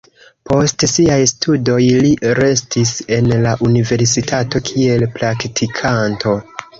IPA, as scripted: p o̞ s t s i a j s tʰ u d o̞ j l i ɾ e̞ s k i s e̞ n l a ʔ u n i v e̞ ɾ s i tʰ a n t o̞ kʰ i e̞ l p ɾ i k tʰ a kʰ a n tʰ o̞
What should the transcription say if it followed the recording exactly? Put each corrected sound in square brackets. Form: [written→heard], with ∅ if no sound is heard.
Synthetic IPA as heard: p o̞ s t s i a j s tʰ u d o̞ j l i ɾ e̞ s [k→t] i s e̞ n l a ʔ u n i v e̞ ɾ s i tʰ a [n→∅] t o̞ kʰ i e̞ l p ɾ [i→a] k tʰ [a→i] kʰ a n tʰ o̞